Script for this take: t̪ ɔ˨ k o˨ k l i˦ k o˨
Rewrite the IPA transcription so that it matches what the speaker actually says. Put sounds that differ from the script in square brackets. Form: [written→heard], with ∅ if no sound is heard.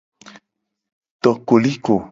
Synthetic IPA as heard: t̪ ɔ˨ k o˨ [k→∅] l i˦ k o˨